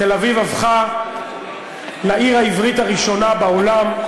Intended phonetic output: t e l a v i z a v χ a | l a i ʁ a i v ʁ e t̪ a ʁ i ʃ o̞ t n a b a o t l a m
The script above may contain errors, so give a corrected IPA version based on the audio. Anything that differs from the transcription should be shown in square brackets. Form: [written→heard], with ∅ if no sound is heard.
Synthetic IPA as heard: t e l a v i [z→v] a v χ a | l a i ʁ a i v ʁ [e→i] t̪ a ʁ i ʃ o̞ [t→∅] n a b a o [t→∅] l a m